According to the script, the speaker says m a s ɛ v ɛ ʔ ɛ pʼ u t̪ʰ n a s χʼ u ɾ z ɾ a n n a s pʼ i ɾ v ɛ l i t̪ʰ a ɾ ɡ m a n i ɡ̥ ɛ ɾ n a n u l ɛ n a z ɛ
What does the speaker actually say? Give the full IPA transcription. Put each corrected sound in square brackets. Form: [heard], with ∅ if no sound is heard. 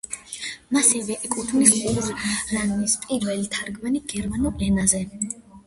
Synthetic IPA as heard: m a s ɛ v ɛ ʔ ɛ [kʼ] u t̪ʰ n [i] s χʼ u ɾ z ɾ a n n [i] s pʼ i ɾ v ɛ l i t̪ʰ a ɾ ɡ m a n i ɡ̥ ɛ ɾ [m] a n u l ɛ n a z ɛ